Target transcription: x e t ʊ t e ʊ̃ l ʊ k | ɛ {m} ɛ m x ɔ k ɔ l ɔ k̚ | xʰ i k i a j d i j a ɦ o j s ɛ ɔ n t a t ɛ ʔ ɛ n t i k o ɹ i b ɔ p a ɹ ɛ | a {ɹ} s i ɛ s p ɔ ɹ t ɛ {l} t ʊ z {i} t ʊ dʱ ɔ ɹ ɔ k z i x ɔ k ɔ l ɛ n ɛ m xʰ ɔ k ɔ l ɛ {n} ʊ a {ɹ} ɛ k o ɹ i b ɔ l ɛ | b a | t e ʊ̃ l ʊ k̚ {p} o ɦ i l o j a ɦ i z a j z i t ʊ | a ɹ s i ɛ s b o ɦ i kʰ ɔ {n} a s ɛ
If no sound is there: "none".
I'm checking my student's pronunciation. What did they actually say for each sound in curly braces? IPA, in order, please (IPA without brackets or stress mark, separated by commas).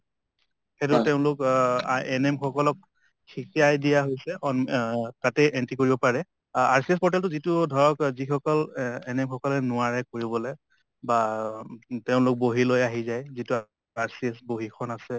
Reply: n, ɹ, l, i, n, ɹ, b, n